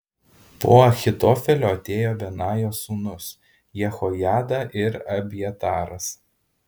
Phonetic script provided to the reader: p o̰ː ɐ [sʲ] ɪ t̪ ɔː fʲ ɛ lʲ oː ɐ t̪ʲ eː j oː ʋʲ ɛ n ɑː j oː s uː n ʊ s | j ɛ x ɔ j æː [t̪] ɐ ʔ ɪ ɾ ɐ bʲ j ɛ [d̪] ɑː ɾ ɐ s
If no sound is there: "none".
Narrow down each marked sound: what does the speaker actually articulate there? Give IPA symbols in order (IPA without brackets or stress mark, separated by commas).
xʲ, d̪, t̪